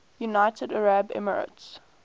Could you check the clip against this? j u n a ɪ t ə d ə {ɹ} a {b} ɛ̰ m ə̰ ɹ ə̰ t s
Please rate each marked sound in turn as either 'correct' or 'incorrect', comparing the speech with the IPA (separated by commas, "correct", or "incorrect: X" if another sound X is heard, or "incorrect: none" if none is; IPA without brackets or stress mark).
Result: correct, correct